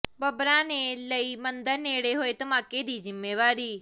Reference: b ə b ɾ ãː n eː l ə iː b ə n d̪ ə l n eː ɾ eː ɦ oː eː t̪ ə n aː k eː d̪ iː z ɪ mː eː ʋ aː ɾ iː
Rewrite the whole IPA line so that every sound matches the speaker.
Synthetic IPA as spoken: b ə b ɾ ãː n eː l ə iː m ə n d̪ ə ɾ n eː ɽ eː ɦ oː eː t̪ ə m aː k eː d̪ iː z ɪ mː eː ʋ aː ɾ iː

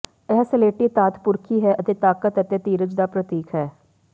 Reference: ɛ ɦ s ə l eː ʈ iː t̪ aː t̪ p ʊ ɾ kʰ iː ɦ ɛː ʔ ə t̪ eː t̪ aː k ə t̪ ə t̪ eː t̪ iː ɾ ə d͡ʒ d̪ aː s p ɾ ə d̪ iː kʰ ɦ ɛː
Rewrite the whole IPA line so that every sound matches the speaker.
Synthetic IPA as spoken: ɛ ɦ s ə l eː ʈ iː t̪ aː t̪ p ʊ ɾ kʰ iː ɦ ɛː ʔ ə t̪ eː t̪ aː k ə t̪ ə t̪ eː t̪ iː ɾ ə d͡ʒ d̪ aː p ɾ ə t̪ iː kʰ ɦ ɛː

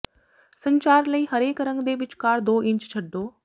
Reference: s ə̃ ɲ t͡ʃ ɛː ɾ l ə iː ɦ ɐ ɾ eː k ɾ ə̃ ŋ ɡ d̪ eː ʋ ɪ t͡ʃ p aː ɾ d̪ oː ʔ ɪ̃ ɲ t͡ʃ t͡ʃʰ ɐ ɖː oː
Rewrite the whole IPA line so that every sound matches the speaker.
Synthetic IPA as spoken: s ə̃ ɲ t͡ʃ aː ɾ l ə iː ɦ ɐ ɾ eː k ɾ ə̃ ŋ ɡ d̪ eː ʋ ɪ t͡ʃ k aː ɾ d̪ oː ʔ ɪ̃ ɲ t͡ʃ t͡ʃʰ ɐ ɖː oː

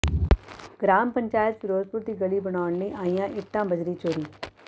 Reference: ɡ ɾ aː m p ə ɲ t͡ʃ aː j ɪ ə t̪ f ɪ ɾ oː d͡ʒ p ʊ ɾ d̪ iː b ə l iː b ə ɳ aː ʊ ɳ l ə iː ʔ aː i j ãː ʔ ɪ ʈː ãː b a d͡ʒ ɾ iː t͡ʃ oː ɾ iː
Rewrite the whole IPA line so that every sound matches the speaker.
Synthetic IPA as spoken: ɡ ɾ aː m p ə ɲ t͡ʃ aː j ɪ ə t̪ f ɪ ɾ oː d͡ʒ p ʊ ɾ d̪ iː ɡ ə l iː b ə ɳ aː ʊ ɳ l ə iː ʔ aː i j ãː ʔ ɪ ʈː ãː b ə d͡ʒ ɾ iː t͡ʃ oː ɾ iː

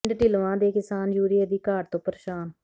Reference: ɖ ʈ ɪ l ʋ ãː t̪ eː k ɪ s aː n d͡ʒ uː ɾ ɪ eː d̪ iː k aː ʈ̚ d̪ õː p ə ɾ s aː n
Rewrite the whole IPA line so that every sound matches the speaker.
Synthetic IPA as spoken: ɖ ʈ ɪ l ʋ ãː d̪ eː k ɪ s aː n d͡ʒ uː ɾ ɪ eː d̪ iː k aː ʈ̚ t̪ õː p ə ɾ ʃ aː n

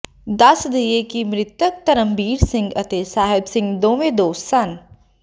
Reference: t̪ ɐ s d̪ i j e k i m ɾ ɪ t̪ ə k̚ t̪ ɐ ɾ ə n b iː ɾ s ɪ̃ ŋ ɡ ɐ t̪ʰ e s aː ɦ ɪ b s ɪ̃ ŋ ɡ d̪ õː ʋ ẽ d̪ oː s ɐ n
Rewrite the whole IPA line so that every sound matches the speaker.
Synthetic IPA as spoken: d̪ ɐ s d̪ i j e k i m ɾ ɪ t̪ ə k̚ t̪ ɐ ɾ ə m b iː ɾ s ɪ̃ ŋ ɡ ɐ t̪ e s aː ɦ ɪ b s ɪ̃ ŋ ɡ d̪ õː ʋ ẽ d̪ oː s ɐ n

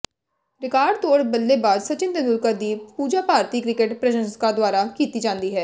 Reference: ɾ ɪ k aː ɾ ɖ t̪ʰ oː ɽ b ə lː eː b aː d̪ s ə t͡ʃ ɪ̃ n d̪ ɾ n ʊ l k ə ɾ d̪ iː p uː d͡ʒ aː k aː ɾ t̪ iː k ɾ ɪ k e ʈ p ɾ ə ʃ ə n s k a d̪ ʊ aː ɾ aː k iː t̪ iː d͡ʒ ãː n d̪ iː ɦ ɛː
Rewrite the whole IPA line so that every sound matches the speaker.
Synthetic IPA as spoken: ɾ ɪ k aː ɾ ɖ t̪ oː ɽ b ə lː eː b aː d̪ s ə t͡ʃ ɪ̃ n d̪ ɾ n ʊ l k ə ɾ d̪ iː p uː d͡ʒ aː p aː ɾ t̪ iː k ɾ ɪ k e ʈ p ɾ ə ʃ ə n s k a d̪ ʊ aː ɾ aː k iː t̪ iː d͡ʒ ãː n d̪ iː ɦ ɛː

